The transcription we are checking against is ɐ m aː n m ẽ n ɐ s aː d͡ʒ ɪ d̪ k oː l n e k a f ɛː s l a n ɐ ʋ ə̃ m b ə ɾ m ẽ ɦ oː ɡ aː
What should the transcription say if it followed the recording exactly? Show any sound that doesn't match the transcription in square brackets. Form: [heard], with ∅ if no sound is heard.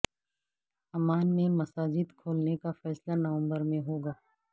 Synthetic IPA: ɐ m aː n m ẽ [m] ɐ s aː d͡ʒ ɪ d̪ [kʰ] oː l n e k a f ɛː s l a n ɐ ʋ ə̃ m b ə ɾ m ẽ ɦ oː ɡ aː